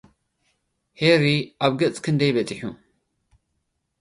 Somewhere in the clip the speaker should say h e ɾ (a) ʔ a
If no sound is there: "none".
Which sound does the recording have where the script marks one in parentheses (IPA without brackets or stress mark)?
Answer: i